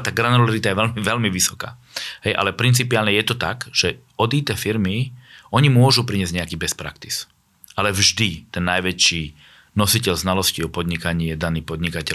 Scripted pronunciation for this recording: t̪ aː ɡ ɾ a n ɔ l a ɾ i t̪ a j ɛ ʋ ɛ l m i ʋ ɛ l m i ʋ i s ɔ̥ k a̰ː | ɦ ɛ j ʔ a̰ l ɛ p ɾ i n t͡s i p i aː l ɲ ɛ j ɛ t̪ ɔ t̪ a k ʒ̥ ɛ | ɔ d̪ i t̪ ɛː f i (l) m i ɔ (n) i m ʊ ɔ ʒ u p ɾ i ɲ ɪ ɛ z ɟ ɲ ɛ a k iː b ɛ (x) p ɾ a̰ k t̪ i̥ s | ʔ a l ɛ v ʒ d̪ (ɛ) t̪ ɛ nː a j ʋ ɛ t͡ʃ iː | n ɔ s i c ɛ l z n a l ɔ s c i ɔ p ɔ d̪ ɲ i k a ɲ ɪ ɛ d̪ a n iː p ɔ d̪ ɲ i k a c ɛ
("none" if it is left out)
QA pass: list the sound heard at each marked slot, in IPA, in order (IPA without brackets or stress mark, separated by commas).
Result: ɾ, ɲ, s, i